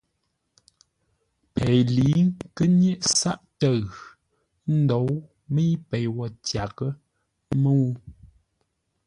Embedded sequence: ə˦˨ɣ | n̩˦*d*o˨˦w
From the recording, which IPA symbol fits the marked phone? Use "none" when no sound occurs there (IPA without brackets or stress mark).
d